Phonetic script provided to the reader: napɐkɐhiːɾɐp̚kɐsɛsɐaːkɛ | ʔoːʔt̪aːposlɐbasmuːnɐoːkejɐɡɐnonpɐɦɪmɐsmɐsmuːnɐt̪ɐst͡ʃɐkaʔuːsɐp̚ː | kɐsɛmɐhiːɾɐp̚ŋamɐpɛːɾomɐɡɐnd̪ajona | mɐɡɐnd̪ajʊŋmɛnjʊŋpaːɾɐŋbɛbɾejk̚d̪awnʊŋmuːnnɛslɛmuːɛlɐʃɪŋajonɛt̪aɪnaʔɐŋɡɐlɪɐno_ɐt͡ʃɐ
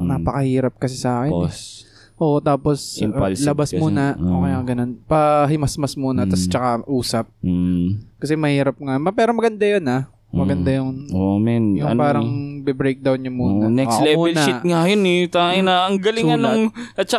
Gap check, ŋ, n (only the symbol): ŋ